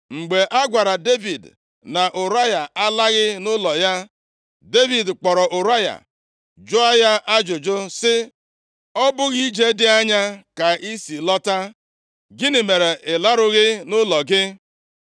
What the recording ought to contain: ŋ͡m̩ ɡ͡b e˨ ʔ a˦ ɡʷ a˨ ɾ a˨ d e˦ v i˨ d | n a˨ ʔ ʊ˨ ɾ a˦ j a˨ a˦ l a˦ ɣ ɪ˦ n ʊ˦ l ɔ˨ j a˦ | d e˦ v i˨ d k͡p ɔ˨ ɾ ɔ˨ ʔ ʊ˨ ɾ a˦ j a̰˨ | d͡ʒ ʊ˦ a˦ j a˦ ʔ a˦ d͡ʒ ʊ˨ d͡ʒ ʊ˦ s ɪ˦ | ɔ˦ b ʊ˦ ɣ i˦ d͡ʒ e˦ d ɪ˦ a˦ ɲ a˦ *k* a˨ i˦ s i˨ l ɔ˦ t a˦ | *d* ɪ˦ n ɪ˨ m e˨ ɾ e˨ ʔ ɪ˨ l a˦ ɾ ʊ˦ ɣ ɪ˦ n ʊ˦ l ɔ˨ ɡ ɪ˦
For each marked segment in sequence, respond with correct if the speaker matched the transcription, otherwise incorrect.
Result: correct, incorrect

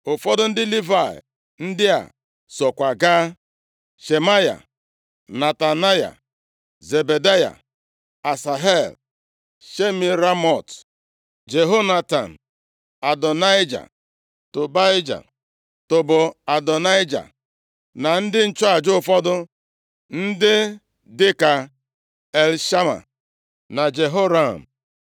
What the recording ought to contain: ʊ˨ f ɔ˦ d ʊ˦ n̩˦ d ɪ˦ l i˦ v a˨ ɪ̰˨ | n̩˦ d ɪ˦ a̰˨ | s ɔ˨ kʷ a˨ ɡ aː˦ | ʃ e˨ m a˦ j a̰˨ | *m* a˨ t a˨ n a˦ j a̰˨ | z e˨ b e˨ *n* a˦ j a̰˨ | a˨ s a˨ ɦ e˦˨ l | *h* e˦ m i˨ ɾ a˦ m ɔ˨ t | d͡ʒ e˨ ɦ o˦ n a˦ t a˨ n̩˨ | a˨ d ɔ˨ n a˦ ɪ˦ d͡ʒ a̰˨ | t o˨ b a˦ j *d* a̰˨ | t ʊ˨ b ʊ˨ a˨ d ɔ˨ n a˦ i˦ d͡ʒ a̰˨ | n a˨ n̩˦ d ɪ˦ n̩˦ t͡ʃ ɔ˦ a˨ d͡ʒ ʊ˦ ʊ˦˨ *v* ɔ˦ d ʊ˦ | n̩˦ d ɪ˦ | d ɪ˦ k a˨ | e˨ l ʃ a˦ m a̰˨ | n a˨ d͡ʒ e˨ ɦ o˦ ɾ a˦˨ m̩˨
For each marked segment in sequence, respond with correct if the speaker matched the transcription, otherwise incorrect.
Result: incorrect, incorrect, incorrect, incorrect, incorrect

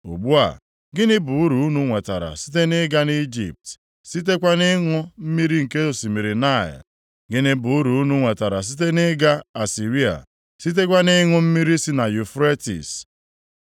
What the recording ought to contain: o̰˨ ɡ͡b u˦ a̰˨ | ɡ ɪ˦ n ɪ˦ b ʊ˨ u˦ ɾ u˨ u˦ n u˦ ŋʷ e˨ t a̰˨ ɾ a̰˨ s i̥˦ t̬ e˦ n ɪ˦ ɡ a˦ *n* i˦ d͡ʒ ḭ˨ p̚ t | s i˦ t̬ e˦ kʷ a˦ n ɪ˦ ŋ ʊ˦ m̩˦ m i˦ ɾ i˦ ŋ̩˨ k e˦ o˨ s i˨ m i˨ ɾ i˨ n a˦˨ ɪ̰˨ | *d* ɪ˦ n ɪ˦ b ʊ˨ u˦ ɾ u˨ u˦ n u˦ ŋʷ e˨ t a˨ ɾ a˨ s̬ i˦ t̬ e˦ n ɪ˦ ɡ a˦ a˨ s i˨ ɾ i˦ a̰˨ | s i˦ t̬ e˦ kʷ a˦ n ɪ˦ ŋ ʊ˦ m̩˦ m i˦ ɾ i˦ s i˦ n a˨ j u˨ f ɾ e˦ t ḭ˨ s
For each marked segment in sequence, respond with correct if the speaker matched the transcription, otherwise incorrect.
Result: correct, incorrect

